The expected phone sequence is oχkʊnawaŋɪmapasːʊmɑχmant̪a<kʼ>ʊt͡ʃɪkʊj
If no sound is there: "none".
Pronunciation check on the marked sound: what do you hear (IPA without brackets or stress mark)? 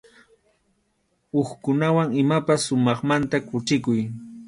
k